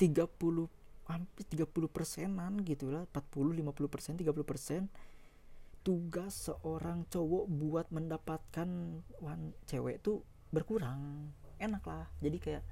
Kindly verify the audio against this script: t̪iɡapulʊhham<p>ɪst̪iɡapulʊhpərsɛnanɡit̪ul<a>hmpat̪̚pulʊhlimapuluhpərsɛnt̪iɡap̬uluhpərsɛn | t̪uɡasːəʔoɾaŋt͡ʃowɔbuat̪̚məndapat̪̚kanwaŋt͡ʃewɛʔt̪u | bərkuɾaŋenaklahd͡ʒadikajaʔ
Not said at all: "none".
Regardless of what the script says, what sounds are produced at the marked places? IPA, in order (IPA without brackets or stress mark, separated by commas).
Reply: p, a